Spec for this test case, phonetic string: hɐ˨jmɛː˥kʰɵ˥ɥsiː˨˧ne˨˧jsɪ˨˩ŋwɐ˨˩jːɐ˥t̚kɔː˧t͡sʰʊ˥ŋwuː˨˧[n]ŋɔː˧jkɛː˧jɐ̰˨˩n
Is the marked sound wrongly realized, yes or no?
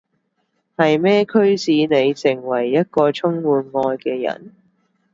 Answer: no